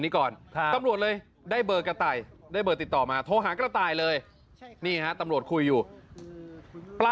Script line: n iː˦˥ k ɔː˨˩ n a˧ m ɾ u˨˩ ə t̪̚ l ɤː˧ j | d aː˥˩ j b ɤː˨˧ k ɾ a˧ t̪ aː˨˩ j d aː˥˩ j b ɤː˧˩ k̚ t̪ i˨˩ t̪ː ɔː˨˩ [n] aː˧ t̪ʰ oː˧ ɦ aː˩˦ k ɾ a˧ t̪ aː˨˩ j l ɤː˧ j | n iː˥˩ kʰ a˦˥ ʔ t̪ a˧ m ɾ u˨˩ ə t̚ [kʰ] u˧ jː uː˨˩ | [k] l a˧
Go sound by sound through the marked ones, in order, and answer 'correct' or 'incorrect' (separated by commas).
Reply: incorrect, correct, incorrect